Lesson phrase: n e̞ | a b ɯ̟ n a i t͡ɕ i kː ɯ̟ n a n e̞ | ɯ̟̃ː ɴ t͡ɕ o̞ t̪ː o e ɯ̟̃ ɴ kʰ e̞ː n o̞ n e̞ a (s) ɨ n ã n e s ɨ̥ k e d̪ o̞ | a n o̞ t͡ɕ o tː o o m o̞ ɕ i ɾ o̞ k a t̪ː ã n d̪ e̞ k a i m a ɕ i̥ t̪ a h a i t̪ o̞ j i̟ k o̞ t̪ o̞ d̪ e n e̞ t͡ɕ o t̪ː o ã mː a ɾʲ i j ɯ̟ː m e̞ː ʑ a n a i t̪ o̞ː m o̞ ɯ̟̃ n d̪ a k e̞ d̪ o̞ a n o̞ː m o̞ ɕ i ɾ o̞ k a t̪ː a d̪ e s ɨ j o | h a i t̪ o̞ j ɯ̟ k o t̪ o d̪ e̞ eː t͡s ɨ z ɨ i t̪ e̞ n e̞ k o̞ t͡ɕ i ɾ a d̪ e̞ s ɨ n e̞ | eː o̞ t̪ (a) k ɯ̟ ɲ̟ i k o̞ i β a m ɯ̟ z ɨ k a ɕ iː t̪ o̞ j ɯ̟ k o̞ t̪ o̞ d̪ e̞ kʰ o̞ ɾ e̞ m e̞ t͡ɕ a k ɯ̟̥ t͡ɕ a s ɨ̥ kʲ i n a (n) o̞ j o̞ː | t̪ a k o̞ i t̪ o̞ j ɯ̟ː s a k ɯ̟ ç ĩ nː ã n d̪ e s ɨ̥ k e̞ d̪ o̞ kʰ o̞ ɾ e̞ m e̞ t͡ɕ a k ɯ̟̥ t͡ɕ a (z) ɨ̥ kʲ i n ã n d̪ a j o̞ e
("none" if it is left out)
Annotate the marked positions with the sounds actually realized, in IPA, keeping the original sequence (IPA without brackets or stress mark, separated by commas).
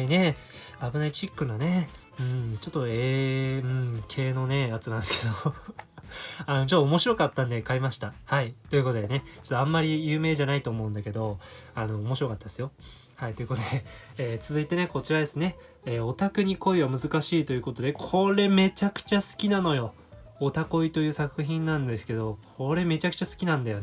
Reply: t͡s, a, n, s